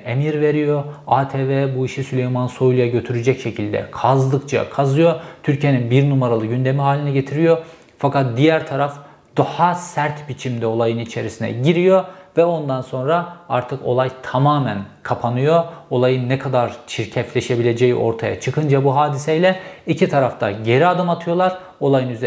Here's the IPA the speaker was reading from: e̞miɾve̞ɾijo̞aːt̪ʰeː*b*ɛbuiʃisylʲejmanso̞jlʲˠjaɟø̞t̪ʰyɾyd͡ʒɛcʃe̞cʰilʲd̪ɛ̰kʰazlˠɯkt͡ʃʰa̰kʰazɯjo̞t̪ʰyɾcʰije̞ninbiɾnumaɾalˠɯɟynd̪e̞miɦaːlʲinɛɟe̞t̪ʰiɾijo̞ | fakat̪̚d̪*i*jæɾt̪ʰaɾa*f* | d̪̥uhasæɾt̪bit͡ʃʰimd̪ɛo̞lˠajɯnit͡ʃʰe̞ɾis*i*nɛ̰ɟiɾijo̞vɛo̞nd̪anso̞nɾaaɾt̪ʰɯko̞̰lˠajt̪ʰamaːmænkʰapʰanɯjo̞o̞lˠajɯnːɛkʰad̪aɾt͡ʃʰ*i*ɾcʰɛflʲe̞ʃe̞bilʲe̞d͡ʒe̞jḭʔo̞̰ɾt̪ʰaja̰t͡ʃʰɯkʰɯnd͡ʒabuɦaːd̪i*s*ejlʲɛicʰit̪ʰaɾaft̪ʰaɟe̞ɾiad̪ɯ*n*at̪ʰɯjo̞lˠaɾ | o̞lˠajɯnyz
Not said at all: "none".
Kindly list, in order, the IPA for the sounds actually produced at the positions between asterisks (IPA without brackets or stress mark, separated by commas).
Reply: v, i, f, i, i, s, m